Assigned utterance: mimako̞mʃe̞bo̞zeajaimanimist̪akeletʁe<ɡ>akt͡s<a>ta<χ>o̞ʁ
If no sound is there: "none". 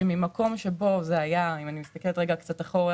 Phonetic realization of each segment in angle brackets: ɡ, a, χ

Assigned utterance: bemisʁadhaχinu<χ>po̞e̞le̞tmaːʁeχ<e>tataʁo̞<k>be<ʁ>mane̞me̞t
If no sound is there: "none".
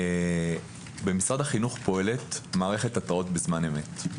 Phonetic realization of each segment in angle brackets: χ, e, t, z

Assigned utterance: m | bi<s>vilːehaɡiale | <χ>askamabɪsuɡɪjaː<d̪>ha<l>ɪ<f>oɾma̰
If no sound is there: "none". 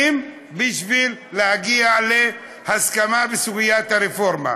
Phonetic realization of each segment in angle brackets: ʃ, h, t̪, ɾ, f

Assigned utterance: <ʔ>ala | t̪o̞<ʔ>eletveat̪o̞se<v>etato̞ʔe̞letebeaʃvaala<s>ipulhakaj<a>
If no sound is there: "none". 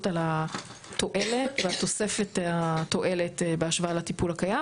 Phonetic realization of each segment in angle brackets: t, ʔ, f, t, a

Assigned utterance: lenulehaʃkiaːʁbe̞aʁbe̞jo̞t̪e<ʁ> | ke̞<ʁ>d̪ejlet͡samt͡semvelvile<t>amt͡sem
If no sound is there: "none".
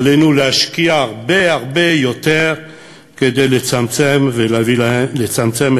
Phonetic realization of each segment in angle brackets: ʁ, none, t͡s

